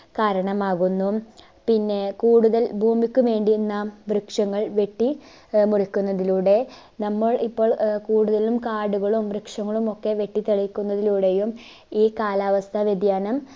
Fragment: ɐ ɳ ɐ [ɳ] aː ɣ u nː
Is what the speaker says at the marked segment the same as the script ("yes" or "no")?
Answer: no